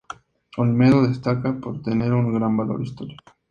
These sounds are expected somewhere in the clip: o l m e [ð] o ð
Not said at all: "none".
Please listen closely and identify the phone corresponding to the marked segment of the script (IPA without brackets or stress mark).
ð